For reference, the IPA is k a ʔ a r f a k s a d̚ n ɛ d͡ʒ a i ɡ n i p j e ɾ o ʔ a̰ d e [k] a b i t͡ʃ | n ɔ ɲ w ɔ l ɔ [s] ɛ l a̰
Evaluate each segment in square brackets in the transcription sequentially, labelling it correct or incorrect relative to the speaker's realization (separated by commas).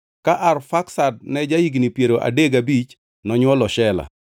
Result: incorrect, incorrect